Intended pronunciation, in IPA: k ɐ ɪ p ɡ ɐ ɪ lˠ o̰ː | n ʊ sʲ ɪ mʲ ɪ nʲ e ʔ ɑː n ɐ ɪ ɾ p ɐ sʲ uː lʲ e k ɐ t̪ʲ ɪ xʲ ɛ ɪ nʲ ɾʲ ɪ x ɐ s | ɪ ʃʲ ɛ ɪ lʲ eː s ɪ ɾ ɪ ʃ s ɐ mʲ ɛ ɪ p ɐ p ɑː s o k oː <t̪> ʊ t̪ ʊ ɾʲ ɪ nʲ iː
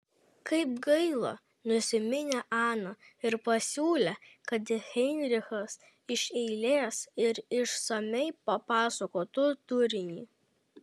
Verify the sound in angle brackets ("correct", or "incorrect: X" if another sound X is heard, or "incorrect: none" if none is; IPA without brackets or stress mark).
correct